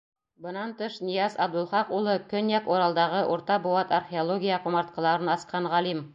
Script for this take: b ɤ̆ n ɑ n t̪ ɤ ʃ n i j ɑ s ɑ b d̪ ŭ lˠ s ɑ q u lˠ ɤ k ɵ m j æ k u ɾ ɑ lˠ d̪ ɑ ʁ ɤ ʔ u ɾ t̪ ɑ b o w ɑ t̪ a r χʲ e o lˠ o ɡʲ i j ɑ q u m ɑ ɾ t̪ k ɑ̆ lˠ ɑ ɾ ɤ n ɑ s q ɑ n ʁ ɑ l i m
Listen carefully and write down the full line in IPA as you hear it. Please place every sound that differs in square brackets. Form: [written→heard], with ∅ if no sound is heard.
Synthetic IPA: b ɤ̆ n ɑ n t̪ ɤ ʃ n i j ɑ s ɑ b d̪ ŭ lˠ [s→χ] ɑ q u lˠ ɤ k ɵ [m→n] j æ k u ɾ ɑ lˠ d̪ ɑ ʁ ɤ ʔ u ɾ t̪ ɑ b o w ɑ t̪ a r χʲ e o lˠ o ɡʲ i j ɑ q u m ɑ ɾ t̪ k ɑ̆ lˠ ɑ ɾ ɤ n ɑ s q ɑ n ʁ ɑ l i m